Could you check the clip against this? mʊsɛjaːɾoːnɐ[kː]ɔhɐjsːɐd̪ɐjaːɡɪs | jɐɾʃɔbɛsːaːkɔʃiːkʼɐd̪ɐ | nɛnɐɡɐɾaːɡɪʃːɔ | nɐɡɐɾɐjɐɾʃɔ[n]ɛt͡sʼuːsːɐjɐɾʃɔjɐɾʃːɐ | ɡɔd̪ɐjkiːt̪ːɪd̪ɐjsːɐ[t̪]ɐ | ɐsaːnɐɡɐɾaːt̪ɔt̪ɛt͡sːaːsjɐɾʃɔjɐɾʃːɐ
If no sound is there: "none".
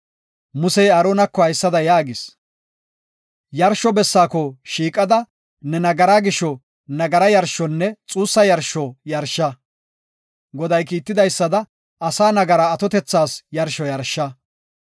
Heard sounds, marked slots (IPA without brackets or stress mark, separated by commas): kː, nː, d̪